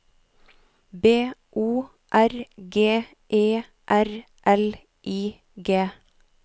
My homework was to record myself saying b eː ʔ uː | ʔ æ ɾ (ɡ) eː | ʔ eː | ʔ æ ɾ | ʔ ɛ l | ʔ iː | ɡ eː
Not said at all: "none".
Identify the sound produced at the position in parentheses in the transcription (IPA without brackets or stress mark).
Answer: ɡ